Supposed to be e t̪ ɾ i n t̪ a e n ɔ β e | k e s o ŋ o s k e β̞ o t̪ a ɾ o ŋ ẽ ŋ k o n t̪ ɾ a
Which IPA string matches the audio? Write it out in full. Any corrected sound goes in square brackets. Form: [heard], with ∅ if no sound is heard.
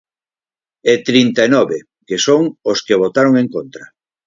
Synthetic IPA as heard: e t̪ ɾ i n t̪ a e n ɔ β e | k e s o ŋ o s k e β̞ o t̪ a ɾ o ŋ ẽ ŋ k o n t̪ ɾ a